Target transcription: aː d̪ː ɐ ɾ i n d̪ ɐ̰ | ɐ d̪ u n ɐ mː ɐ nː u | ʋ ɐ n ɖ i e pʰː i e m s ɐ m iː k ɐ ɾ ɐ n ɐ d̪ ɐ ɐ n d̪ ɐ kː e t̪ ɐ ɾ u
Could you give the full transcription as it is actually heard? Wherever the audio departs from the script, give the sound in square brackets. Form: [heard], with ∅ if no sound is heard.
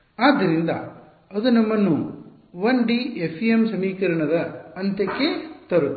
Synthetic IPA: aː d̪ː ɐ ɾ i n d̪ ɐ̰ | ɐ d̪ u n ɐ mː ɐ nː u | ʋ ɐ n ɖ i e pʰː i e m s ɐ m iː k ɐ ɾ ɐ [ɳ] ɐ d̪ ɐ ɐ n [t̪] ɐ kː e t̪ ɐ ɾ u